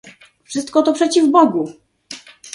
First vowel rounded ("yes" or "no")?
no